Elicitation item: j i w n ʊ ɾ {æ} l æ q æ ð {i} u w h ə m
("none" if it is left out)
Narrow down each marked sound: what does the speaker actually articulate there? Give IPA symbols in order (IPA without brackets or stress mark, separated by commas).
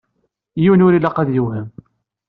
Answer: i, j